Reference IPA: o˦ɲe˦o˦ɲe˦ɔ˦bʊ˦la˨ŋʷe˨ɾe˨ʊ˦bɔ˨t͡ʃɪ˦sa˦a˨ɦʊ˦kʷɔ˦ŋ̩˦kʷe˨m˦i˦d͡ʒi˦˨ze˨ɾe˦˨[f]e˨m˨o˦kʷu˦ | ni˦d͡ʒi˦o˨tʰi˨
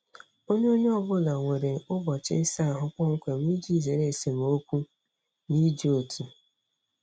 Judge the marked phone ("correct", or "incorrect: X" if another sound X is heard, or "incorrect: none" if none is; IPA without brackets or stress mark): incorrect: s